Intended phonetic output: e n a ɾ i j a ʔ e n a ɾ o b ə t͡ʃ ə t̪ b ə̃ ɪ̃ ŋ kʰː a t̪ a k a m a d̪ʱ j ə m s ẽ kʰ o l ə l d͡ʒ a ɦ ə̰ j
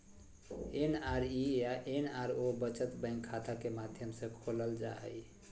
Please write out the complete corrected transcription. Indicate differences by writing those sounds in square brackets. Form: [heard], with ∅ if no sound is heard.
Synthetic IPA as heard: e n a ɾ i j a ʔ e n a ɾ o b ə t͡ʃ ə t̪ b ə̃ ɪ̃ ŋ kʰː a t̪ a k [e] m a d̪ʱ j ə m s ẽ kʰ o l ə l d͡ʒ a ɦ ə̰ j

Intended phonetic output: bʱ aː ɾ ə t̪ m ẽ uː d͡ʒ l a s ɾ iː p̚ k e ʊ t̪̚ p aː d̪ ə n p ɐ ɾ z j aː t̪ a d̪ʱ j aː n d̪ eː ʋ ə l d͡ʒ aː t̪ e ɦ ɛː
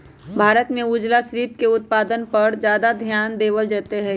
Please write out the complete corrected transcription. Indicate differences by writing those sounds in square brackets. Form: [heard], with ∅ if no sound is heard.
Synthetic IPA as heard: bʱ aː ɾ ə t̪ m ẽ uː d͡ʒ l a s ɾ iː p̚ k e ʊ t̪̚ p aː d̪ ə n p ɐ ɾ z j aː [d̪] a d̪ʱ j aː n d̪ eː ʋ ə l d͡ʒ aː t̪ e ɦ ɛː

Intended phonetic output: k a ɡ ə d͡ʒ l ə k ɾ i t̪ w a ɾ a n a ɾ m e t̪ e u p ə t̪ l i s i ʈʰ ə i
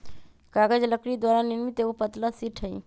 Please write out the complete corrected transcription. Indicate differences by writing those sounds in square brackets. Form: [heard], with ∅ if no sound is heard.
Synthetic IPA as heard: k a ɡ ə d͡ʒ l ə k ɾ i [d̪] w a ɾ a n [i] ɾ m [i] t̪ e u p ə t̪ l [a] s i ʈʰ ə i

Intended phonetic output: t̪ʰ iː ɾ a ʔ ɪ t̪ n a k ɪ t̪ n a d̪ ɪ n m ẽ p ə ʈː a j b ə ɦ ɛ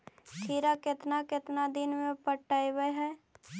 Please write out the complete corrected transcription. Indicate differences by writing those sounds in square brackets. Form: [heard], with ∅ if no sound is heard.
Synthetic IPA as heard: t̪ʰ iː ɾ a [k] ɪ t̪ n a k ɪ t̪ n a d̪ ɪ n m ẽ p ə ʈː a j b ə ɦ ɛ

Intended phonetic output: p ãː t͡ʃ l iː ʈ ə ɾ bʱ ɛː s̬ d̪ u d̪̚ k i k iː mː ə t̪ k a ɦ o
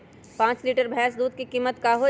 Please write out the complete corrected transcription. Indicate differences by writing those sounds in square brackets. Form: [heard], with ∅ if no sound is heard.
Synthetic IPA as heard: p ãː t͡ʃ l iː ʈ ə ɾ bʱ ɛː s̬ d̪ [uː] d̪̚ k i k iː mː ə t̪ k a ɦ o

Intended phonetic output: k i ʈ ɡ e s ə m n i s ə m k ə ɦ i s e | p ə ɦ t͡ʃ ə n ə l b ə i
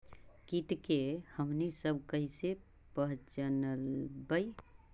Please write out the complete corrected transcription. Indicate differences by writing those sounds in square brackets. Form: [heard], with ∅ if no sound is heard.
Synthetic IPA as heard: k i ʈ [k] e [h] ə m n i s ə [b] k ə ɦ i s e | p ə ɦ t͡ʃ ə n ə l b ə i

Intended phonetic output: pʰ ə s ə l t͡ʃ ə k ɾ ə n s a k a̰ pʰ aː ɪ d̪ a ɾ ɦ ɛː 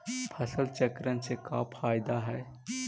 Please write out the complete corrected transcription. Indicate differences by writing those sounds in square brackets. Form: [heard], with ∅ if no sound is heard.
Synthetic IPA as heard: pʰ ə s ə l t͡ʃ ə k ɾ ə n s [e] k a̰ pʰ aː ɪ d̪ a [∅] ɦ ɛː

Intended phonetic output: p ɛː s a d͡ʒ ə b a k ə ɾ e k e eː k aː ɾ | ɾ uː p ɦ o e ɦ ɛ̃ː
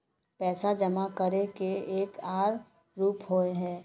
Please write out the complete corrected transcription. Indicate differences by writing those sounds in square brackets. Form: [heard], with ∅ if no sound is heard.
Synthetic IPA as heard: p ɛː s a d͡ʒ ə [m] a k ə ɾ e k e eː k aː ɾ | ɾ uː p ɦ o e ɦ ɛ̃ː

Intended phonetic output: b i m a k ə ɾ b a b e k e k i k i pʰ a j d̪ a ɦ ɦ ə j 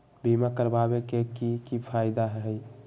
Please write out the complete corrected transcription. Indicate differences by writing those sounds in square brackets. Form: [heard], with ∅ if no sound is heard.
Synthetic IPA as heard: b i m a k ə ɾ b a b e k e k i k i pʰ a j d̪ a ɦ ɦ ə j

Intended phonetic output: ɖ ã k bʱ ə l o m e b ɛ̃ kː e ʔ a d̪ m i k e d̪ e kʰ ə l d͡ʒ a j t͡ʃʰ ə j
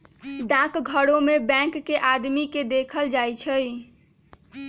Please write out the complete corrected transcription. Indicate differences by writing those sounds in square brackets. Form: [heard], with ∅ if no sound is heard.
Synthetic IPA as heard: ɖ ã k [ɡʱ] ə [ɽ] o m e b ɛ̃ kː e ʔ a d̪ m i k e d̪ e kʰ ə l d͡ʒ a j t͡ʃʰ ə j

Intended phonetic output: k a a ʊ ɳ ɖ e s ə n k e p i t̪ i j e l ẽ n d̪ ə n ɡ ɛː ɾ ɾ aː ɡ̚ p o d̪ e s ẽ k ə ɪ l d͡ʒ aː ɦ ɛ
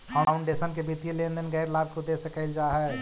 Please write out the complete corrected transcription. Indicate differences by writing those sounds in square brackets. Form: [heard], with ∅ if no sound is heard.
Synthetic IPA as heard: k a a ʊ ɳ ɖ e s ə n k e [b] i t̪ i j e l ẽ n d̪ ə n ɡ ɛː ɾ [l] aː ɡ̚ [k] o d̪ e s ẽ k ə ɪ l d͡ʒ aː ɦ ɛ

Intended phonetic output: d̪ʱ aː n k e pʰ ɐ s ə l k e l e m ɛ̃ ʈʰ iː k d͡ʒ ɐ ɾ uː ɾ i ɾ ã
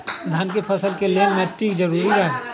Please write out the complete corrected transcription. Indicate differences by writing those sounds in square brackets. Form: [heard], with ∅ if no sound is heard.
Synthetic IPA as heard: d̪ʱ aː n k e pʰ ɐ s ə l k e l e m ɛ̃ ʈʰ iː k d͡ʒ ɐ ɾ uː ɾ i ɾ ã

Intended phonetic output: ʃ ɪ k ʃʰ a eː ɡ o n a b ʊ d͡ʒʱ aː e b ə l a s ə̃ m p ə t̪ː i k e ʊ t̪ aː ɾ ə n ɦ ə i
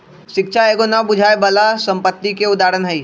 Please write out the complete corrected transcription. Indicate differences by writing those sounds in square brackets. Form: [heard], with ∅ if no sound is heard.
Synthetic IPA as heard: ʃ ɪ k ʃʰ a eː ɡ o n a b ʊ d͡ʒʱ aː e b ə l a s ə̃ m p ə t̪ː i k e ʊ [d̪] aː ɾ ə n ɦ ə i

